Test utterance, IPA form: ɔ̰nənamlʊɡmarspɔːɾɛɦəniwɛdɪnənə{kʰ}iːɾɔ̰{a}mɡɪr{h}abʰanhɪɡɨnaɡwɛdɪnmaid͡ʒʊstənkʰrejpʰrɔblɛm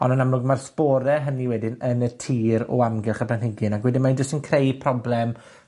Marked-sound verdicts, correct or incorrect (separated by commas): incorrect, correct, incorrect